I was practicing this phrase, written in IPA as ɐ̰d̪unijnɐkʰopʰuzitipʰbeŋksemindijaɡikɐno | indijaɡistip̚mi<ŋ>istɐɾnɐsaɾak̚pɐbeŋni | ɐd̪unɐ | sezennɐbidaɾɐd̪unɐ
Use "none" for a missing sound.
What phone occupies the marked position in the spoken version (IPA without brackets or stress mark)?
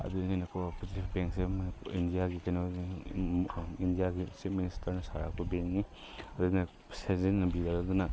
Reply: n